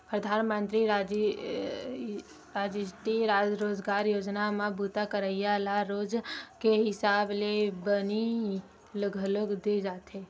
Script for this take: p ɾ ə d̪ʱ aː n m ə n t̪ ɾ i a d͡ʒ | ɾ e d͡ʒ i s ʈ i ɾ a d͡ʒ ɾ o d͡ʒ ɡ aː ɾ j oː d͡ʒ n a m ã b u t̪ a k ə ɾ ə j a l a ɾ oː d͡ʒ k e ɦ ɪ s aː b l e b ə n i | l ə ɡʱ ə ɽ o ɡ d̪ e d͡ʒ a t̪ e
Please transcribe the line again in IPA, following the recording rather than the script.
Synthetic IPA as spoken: p ɾ ə d̪ʱ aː n m ə n t̪ ɾ i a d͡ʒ | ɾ a d͡ʒ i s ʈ i ɾ a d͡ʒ ɾ o d͡ʒ ɡ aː ɾ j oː d͡ʒ n a m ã b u t̪ a k ə ɾ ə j a l a ɾ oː d͡ʒ k e ɦ ɪ s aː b l e b ə n i | l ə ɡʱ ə l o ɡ d̪ e d͡ʒ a t̪ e